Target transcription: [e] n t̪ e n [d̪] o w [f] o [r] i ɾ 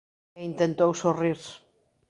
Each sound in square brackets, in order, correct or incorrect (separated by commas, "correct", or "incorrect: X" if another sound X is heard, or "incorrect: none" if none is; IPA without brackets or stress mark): incorrect: i, incorrect: t̪, incorrect: s, correct